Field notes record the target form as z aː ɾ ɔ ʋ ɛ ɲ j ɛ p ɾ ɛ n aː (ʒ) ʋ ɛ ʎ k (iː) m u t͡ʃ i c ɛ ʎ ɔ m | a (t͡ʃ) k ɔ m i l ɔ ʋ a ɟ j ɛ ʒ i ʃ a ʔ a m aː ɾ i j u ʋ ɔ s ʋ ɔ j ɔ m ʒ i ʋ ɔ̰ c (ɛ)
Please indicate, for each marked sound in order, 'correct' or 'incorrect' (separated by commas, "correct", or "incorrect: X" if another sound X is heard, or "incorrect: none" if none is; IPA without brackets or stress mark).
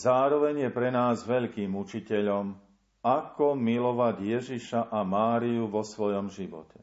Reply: incorrect: z, correct, incorrect: none, correct